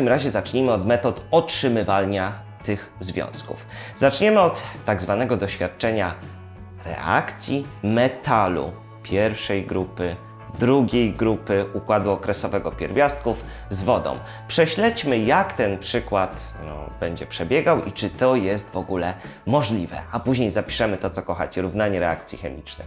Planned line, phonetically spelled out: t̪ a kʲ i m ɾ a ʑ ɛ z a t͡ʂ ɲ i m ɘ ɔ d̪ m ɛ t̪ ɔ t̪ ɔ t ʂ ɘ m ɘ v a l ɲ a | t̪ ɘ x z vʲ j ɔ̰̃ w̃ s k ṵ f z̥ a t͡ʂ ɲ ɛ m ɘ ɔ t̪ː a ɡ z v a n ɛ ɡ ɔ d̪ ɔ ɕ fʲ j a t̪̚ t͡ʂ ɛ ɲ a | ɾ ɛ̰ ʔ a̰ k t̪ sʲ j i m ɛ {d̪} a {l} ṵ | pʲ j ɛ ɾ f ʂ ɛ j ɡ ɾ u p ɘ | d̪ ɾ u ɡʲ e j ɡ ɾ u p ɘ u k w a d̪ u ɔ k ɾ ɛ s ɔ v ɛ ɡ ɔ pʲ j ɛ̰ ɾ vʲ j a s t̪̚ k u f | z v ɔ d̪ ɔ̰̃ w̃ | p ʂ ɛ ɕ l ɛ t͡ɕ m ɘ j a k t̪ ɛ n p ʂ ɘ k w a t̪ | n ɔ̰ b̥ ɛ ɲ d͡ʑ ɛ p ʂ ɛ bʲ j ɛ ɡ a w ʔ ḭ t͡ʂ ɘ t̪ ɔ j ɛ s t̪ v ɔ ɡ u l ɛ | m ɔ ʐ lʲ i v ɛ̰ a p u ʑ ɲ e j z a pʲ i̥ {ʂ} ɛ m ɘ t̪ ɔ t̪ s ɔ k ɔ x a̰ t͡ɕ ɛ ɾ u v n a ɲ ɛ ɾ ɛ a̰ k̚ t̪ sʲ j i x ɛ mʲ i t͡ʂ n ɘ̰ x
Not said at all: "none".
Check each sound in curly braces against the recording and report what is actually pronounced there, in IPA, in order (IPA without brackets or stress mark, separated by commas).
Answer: t̪, l, ʂ